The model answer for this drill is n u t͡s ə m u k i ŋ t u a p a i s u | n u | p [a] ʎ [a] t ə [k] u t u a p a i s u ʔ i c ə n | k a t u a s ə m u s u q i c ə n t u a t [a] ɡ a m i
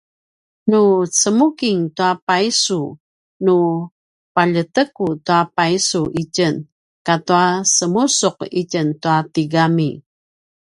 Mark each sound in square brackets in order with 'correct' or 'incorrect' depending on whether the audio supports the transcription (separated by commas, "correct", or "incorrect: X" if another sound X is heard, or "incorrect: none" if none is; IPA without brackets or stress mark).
correct, incorrect: ə, correct, incorrect: i